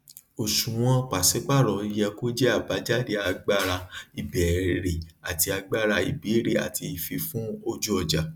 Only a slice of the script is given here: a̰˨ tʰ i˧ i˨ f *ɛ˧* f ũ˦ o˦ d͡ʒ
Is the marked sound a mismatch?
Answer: yes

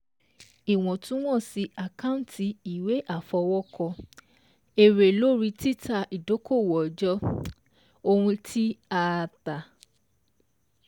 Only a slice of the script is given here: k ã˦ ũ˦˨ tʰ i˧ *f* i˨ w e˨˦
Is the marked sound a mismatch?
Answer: yes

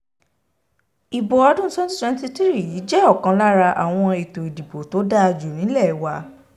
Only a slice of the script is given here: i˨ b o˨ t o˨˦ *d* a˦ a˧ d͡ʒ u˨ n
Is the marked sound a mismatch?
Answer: no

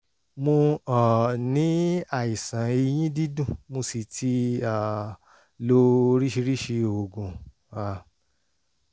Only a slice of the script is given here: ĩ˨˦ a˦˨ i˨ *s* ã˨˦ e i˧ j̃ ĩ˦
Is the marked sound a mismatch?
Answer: no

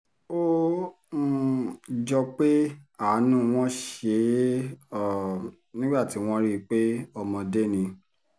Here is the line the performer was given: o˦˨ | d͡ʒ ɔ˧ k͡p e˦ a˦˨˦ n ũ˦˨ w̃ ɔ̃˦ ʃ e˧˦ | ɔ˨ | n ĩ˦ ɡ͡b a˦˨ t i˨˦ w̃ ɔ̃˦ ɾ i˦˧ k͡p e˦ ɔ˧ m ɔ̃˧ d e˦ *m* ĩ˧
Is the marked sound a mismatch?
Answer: yes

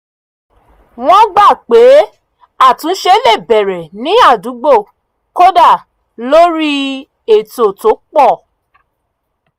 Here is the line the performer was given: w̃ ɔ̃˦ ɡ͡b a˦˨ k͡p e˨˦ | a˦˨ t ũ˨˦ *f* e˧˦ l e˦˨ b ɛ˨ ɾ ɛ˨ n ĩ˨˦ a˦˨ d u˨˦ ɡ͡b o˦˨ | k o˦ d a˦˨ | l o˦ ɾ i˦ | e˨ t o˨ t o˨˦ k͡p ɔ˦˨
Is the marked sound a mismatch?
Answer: yes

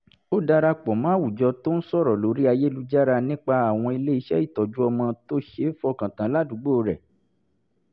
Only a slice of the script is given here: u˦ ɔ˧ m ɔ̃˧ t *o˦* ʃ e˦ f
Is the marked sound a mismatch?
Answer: no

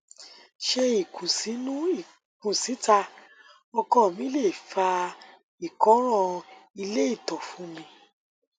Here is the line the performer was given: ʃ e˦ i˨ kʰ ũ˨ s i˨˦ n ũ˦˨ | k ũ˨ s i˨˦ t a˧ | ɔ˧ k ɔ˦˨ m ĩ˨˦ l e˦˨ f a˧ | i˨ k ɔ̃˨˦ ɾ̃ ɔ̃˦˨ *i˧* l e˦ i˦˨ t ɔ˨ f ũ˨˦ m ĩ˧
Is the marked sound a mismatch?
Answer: no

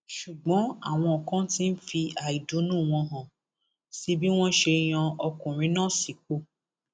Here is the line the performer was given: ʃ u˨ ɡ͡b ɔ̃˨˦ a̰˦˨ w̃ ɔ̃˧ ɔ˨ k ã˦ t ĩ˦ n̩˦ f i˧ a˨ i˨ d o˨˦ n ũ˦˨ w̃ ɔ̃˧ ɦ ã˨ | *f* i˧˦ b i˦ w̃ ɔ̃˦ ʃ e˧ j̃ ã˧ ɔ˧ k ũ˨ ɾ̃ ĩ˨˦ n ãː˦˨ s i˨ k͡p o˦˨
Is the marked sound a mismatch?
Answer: yes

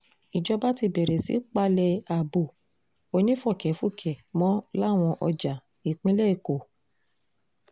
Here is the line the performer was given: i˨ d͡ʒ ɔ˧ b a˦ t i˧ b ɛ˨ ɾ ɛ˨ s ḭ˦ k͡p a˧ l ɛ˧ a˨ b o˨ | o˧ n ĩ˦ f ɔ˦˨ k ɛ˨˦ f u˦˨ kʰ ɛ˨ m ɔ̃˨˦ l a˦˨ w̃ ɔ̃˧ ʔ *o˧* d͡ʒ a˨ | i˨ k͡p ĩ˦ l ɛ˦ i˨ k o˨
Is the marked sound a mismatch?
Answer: yes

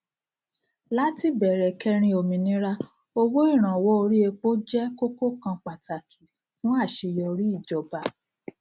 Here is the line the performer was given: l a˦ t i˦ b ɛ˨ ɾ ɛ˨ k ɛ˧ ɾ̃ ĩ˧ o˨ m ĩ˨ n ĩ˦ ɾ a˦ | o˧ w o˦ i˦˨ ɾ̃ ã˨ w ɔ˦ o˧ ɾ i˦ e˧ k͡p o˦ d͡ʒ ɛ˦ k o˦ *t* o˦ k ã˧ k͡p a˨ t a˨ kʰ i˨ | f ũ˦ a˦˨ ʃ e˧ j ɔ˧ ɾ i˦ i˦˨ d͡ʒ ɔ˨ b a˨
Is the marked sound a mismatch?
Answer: yes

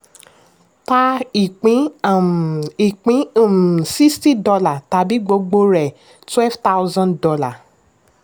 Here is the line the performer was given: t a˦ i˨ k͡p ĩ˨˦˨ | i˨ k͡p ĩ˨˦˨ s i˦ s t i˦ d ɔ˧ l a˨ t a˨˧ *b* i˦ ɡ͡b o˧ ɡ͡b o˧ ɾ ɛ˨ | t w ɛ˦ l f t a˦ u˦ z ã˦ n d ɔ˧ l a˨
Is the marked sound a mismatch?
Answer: no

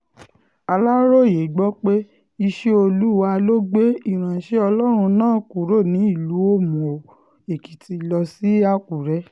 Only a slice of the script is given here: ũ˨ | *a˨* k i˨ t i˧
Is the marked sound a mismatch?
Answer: yes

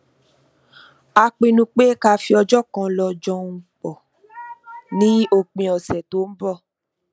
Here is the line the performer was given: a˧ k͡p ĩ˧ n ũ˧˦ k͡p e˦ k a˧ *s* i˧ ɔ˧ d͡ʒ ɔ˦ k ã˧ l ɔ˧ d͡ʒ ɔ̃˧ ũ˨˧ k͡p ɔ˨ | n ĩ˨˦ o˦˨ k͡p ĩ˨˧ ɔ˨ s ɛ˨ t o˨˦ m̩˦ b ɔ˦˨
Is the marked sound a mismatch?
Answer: yes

